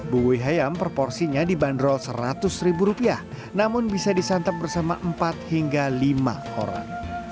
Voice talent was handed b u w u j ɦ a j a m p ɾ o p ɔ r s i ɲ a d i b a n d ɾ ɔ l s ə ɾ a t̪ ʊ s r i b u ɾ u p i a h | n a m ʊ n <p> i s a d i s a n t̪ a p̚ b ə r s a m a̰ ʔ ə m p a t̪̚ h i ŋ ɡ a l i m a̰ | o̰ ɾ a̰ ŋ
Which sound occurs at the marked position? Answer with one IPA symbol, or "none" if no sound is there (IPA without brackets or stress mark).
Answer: b